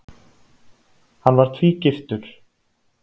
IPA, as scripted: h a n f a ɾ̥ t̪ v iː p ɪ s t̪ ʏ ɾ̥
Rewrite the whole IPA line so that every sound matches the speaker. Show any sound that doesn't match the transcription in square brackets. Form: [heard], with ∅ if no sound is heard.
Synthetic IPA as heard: h a n [v] a ɾ̥ [t̪ʰ] v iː [c] ɪ [f] t̪ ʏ ɾ̥